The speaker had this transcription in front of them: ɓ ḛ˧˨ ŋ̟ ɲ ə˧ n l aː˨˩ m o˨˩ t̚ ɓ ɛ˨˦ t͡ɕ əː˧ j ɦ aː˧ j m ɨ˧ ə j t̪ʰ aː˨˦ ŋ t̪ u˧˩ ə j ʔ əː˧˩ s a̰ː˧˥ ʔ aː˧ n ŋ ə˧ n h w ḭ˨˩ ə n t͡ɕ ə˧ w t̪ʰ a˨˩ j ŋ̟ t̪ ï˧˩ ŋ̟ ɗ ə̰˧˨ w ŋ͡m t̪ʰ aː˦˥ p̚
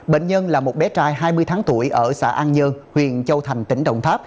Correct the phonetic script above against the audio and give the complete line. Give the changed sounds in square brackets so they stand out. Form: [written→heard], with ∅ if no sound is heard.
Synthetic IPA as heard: ɓ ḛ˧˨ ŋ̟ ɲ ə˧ n l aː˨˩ m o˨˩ t̚ ɓ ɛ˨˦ t͡ɕ [əː˧→aː˧] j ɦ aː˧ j m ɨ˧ ə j t̪ʰ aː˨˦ ŋ t̪ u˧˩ ə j ʔ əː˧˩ s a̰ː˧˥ ʔ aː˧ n [ŋ→ɲ] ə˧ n h w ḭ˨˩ ə n t͡ɕ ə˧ w t̪ʰ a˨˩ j ŋ̟ t̪ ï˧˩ ŋ̟ ɗ ə̰˧˨ w ŋ͡m t̪ʰ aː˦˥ p̚

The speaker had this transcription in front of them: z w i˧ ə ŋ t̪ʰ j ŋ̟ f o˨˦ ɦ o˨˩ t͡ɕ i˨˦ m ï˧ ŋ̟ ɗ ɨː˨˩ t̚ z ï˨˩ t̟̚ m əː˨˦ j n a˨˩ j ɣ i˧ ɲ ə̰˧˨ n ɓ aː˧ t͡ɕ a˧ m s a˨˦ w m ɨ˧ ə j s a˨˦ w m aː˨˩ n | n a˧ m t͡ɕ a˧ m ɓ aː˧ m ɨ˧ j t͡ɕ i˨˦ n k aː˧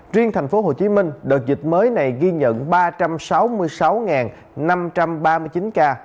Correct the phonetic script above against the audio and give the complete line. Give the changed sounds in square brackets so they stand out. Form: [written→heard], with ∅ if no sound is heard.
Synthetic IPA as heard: z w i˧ ə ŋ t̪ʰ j ŋ̟ f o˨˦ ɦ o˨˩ t͡ɕ i˨˦ m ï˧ ŋ̟ ɗ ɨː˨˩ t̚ z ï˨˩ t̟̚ m əː˨˦ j n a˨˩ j ɣ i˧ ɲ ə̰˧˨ n ɓ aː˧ t͡ɕ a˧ m s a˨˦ w m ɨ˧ ə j s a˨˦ w [m→ŋ] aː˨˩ n | n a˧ m t͡ɕ a˧ m ɓ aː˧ m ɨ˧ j t͡ɕ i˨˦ n k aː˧

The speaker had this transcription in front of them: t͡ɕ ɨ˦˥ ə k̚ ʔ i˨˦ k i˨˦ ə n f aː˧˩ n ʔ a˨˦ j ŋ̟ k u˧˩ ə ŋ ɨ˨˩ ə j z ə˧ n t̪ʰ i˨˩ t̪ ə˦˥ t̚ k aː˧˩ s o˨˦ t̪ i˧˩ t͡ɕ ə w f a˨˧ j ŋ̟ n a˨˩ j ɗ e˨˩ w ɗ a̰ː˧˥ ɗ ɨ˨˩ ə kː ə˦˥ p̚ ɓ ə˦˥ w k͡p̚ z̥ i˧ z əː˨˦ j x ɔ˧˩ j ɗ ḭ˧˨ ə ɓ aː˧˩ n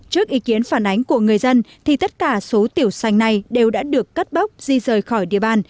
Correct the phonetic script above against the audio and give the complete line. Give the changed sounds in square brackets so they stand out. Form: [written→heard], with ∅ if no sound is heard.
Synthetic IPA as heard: t͡ɕ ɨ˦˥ ə k̚ ʔ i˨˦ k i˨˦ ə n f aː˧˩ n ʔ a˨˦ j ŋ̟ k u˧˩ ə ŋ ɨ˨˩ ə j z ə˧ n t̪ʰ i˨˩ t̪ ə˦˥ t̚ k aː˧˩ s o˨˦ t̪ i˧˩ [t͡ɕ→∅] ə w [f→s] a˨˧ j ŋ̟ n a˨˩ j ɗ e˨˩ w ɗ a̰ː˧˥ ɗ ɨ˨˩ ə kː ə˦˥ [p̚→t̚] ɓ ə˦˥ w k͡p̚ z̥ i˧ z [əː˨˦→əː˨˩] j x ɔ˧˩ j ɗ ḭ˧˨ ə ɓ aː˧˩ n

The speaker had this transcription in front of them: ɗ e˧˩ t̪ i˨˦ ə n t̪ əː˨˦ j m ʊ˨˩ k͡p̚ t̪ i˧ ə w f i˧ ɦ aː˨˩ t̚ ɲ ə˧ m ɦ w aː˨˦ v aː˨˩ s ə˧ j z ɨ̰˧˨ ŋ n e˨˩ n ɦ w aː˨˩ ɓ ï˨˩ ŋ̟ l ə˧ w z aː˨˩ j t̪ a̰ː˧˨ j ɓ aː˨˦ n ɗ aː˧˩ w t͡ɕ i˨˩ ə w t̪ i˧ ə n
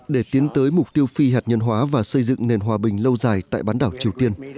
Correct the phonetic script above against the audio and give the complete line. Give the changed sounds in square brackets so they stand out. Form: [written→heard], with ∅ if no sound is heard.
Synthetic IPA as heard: ɗ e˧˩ t̪ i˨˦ ə n t̪ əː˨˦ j m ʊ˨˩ k͡p̚ t̪ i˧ ə w f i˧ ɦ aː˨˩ t̚ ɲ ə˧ [m→n] ɦ w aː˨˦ v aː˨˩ s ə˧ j z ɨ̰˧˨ ŋ n e˨˩ n ɦ w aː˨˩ ɓ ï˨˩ ŋ̟ l ə˧ w z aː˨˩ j t̪ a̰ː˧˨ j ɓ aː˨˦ n ɗ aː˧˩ w t͡ɕ i˨˩ ə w t̪ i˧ ə n

